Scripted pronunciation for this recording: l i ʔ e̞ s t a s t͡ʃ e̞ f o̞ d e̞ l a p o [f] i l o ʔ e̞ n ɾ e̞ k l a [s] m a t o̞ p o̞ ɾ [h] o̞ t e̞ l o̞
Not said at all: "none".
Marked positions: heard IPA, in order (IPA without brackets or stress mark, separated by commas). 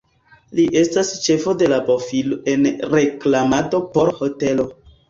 f, none, h